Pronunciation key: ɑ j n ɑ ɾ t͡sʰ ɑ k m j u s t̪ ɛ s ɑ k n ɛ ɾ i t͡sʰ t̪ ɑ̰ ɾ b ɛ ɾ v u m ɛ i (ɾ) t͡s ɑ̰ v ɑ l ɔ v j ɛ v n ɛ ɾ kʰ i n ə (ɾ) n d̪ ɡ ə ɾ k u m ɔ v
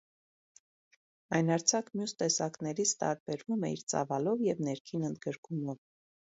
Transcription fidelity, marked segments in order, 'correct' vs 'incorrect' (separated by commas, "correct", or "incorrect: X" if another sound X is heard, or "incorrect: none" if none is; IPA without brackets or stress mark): correct, incorrect: none